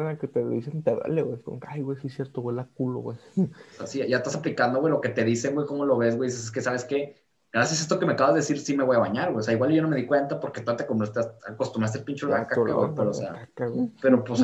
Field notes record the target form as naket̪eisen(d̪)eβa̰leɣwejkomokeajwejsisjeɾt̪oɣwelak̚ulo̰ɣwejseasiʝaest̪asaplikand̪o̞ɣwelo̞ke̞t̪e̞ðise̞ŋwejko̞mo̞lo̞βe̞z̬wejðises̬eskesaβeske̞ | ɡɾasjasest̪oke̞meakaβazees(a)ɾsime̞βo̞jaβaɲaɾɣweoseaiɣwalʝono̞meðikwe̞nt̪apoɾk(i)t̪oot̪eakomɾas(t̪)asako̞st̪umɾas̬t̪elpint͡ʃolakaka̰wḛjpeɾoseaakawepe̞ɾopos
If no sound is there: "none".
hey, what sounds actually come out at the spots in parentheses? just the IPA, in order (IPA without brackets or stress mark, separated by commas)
t̪, i, e, t̪